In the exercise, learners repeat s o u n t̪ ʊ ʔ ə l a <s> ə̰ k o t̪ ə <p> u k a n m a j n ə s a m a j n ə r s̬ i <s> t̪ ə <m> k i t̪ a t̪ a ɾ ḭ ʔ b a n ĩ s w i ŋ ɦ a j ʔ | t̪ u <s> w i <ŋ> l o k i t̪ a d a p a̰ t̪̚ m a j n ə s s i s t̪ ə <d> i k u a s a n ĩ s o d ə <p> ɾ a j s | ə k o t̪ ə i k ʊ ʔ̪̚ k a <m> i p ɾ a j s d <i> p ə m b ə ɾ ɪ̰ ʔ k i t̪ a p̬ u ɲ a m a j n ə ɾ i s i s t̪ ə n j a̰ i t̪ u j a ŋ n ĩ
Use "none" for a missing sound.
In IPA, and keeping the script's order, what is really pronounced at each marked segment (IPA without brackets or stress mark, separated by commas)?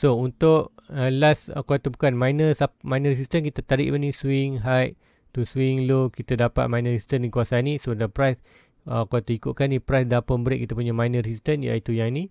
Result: s, b, s, n, s, ŋ, n, p, n, a